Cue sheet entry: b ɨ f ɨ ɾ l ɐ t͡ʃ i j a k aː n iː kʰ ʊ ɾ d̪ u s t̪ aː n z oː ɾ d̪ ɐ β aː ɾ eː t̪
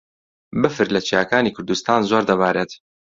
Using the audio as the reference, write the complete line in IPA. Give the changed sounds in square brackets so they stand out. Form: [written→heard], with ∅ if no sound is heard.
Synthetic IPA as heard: b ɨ f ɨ ɾ l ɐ t͡ʃ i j a k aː n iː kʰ ʊ ɾ d̪ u s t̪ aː n z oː ɾ d̪ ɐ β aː ɾ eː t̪